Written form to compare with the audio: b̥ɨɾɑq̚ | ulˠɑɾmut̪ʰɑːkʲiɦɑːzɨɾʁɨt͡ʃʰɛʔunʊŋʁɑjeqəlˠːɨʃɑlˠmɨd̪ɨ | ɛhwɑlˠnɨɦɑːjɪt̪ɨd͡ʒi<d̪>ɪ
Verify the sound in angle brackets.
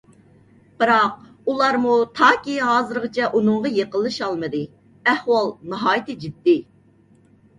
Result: incorrect: d̪ː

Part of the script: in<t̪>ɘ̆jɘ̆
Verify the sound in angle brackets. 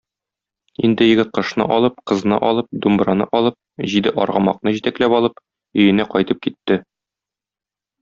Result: incorrect: d̪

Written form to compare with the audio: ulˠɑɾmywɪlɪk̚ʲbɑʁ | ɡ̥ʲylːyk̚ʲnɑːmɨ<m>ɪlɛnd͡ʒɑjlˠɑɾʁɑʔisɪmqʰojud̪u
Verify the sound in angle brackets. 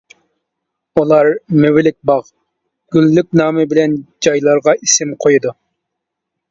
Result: incorrect: b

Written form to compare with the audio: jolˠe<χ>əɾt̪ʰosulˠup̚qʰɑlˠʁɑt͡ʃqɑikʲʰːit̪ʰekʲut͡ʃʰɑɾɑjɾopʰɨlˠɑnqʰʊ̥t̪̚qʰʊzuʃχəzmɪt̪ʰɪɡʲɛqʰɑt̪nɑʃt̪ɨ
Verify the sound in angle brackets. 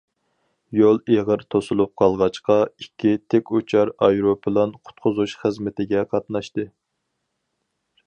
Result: incorrect: ʁ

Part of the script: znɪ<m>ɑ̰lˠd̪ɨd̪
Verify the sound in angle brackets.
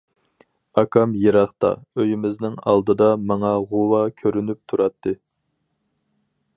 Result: incorrect: ŋ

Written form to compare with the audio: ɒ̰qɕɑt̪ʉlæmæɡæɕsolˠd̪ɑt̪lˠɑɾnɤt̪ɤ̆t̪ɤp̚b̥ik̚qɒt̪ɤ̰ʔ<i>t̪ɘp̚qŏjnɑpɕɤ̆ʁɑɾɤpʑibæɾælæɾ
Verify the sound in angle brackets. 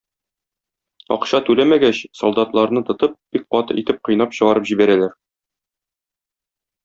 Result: correct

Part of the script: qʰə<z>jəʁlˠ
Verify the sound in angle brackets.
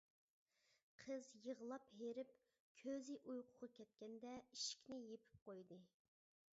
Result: correct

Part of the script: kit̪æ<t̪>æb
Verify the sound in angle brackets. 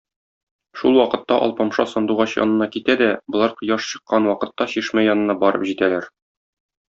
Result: incorrect: d̪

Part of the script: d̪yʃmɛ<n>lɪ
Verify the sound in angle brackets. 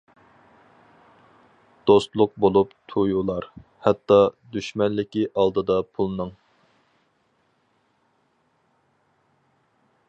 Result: correct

